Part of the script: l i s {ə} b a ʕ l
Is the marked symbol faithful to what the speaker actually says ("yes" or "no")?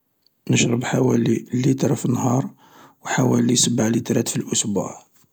yes